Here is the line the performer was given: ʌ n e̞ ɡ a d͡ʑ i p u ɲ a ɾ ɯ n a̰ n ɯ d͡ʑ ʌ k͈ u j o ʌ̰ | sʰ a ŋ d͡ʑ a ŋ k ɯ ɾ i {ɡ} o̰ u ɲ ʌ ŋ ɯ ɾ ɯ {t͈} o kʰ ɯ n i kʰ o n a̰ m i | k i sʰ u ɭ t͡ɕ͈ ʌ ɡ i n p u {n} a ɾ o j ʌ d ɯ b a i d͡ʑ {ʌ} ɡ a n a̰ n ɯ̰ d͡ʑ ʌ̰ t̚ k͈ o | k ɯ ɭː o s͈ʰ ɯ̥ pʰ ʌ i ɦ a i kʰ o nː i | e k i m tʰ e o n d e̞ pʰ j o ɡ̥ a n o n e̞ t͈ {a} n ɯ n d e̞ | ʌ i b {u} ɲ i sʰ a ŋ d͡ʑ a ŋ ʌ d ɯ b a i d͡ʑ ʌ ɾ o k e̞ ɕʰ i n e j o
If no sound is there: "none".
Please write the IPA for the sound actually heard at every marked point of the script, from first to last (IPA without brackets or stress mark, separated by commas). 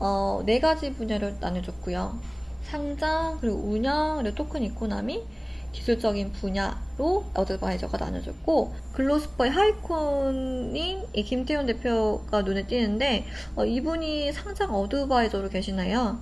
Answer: ɡ, t͈, ɲ, ʌ, i, u